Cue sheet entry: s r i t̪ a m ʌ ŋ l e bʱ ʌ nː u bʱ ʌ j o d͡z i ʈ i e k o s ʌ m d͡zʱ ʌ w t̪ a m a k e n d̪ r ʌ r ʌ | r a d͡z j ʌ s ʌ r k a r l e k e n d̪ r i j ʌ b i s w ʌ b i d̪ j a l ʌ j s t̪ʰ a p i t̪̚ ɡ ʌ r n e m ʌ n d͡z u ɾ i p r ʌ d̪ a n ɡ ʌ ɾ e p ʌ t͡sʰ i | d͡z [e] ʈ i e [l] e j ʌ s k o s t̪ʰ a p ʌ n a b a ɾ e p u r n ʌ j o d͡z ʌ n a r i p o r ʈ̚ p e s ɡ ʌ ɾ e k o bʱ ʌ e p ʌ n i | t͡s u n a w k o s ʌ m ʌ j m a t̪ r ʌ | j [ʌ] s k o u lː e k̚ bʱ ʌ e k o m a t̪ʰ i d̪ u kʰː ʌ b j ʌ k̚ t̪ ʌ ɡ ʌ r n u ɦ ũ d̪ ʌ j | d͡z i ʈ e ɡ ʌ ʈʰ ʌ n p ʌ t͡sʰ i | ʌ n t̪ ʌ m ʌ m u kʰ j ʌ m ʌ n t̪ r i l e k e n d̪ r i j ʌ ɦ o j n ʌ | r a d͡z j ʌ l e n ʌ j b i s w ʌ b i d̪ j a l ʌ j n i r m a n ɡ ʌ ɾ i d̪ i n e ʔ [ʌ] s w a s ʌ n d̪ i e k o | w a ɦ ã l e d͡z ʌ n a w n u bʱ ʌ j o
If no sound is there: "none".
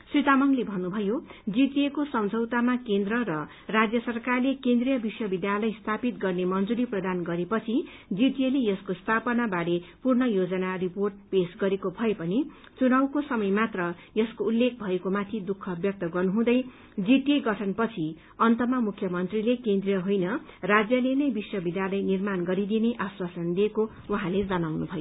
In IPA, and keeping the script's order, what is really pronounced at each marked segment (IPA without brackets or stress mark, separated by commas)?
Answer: i, l, ʌ, a